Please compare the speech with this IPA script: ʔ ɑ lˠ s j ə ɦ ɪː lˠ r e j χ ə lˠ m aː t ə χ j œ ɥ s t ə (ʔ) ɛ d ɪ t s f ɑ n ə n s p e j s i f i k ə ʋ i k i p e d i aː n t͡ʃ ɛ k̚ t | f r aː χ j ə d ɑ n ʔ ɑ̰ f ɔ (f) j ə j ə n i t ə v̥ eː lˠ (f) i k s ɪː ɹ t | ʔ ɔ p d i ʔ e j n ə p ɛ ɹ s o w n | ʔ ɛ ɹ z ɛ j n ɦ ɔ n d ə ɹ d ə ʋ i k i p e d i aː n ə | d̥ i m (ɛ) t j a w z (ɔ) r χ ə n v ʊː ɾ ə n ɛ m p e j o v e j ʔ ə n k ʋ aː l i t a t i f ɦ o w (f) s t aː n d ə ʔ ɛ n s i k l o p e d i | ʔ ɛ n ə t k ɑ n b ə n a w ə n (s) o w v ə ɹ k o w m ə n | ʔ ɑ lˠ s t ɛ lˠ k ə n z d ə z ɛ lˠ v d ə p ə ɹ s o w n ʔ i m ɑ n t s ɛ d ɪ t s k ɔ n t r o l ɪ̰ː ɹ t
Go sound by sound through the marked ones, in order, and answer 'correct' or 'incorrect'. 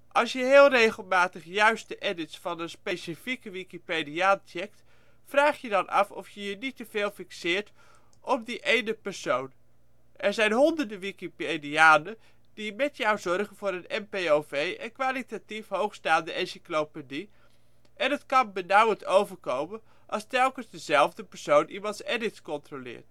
correct, correct, correct, correct, correct, incorrect, incorrect

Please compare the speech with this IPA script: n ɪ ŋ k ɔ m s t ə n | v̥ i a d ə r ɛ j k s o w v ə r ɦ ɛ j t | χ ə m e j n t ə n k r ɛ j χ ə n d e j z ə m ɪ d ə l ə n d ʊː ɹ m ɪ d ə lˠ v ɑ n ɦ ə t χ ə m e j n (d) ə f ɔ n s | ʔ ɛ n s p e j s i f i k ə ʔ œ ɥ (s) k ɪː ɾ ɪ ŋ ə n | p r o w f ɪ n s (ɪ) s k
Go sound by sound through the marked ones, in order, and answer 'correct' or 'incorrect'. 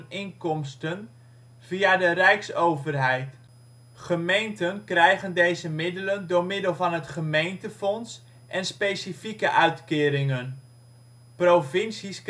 incorrect, incorrect, incorrect

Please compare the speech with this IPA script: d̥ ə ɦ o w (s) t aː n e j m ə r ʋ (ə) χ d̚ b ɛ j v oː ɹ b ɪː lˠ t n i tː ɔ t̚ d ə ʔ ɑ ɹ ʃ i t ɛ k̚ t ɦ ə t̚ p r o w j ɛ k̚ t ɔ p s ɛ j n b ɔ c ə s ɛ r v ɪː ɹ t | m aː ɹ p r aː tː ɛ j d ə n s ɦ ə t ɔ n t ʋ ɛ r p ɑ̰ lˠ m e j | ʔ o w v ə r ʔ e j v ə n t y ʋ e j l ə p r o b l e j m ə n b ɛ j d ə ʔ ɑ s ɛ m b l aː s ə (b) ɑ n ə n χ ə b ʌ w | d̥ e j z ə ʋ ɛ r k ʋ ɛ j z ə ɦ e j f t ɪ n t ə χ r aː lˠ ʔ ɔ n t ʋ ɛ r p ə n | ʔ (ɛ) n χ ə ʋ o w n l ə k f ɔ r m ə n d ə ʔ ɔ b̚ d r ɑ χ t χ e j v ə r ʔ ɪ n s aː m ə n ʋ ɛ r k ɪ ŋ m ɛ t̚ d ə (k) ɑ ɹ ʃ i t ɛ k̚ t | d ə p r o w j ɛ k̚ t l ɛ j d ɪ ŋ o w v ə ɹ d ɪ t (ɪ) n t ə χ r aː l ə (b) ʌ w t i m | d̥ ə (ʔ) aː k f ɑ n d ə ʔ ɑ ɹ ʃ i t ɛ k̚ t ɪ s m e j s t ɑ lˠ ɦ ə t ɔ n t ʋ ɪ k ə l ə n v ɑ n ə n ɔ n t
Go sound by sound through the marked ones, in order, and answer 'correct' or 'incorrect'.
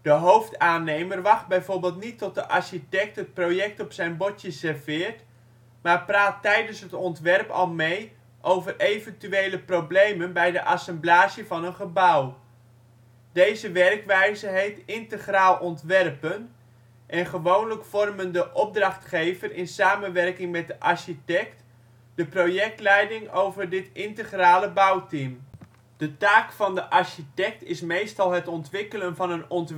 incorrect, incorrect, incorrect, correct, incorrect, correct, correct, incorrect

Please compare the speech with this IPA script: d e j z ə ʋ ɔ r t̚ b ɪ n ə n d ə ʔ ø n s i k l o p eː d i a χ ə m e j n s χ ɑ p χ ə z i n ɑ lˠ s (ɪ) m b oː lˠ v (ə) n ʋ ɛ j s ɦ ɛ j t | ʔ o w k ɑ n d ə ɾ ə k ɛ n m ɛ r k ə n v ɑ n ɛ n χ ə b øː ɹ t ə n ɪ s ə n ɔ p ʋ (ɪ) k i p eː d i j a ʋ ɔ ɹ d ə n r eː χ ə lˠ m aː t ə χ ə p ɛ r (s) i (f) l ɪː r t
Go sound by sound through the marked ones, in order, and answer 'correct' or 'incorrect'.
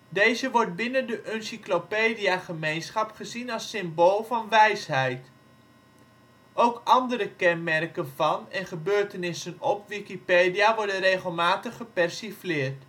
correct, incorrect, incorrect, correct, correct

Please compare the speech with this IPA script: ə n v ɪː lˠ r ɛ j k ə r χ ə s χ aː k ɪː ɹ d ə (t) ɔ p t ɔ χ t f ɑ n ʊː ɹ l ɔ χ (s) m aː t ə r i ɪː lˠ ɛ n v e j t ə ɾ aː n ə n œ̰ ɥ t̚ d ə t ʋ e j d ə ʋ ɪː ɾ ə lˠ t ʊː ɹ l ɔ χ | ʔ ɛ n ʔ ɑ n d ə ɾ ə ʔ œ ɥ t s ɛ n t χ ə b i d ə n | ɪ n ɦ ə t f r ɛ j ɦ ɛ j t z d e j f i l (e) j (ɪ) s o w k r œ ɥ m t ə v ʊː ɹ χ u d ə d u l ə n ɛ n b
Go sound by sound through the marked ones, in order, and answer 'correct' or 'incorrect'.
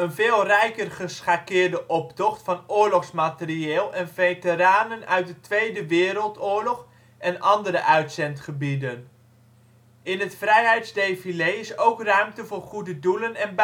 incorrect, correct, correct, correct

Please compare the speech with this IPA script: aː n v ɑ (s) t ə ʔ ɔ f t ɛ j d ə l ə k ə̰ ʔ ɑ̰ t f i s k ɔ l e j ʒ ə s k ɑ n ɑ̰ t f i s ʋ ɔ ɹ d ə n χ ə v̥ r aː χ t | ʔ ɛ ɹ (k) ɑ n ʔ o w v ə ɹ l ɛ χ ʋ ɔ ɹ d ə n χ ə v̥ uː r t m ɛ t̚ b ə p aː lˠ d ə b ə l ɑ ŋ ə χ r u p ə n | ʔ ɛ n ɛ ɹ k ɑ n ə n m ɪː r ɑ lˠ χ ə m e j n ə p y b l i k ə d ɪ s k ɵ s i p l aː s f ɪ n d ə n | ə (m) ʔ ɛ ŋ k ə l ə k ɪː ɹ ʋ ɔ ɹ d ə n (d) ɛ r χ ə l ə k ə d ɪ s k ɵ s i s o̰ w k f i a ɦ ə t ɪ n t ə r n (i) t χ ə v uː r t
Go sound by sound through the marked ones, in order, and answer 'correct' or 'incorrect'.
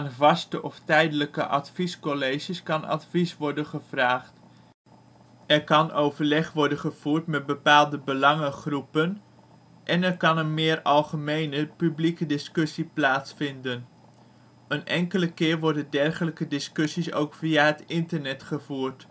correct, correct, incorrect, correct, incorrect

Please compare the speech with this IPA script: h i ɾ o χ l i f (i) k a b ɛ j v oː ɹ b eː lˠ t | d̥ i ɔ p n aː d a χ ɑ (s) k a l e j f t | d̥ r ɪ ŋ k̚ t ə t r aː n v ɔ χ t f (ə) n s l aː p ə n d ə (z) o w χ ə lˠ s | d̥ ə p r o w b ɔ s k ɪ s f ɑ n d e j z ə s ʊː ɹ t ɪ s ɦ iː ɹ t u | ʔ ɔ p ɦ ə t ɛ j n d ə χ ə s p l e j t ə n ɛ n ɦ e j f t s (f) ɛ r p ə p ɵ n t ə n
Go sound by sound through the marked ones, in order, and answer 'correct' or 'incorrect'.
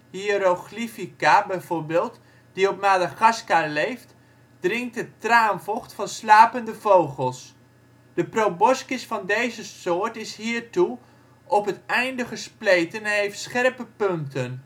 correct, correct, incorrect, incorrect, incorrect

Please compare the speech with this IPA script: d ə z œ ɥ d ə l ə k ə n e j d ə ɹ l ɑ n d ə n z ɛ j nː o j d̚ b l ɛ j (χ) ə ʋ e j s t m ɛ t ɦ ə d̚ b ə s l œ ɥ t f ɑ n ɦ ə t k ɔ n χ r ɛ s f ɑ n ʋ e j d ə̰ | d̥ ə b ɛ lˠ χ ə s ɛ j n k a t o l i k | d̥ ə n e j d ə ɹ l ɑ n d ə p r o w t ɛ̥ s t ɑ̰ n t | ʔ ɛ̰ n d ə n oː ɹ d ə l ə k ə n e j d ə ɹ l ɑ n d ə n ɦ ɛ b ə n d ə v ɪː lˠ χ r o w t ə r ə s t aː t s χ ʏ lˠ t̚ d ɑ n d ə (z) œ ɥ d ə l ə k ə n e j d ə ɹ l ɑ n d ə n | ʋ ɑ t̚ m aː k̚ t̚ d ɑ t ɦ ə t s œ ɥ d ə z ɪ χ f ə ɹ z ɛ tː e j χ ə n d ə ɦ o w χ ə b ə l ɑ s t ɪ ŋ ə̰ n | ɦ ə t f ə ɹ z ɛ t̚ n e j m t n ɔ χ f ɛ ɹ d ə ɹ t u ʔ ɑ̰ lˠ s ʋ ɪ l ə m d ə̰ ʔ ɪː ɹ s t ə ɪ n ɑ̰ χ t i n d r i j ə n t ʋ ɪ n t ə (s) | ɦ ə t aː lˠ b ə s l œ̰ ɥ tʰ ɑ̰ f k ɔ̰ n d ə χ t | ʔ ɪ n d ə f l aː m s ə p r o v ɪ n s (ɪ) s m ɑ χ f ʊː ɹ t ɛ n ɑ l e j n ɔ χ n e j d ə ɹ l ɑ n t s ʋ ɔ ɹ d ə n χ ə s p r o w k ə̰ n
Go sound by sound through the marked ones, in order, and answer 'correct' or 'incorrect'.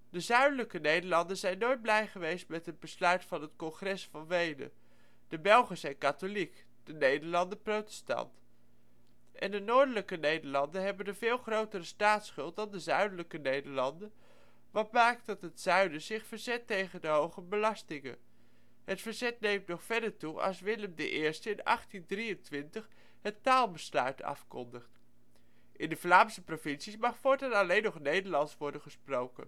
correct, correct, incorrect, incorrect

